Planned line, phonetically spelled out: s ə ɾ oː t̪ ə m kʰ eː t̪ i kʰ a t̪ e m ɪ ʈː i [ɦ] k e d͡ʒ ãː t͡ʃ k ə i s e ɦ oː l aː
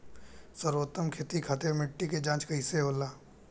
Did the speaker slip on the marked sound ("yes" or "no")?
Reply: yes